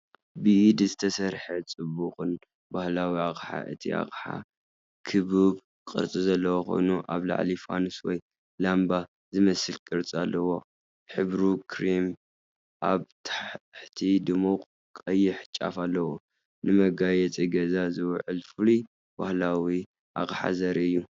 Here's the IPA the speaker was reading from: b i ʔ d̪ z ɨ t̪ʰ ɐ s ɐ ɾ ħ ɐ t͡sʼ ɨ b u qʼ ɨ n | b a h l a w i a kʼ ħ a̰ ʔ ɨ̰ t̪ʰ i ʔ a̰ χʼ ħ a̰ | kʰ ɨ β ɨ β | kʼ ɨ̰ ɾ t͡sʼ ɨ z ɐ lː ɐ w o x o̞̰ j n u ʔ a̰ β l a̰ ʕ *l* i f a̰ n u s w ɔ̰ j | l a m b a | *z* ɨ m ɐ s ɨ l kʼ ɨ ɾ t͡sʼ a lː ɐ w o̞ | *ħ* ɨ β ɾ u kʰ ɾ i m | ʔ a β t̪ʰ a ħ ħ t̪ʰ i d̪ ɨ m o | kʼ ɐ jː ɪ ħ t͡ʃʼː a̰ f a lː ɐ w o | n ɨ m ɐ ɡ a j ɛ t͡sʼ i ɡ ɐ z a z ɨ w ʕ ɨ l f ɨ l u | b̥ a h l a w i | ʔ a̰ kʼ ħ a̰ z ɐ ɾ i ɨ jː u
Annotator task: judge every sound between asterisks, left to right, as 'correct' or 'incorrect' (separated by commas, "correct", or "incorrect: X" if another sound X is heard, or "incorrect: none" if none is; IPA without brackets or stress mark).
correct, correct, correct